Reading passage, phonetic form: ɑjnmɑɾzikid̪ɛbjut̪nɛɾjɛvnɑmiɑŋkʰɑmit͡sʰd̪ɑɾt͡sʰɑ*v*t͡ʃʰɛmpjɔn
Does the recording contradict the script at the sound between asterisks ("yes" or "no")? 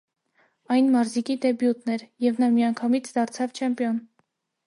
no